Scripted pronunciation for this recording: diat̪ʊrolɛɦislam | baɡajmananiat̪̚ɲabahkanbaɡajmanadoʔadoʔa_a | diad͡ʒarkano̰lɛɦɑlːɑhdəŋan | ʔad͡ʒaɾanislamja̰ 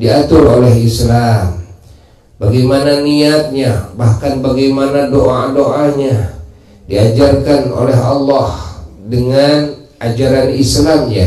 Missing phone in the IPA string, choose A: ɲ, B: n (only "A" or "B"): A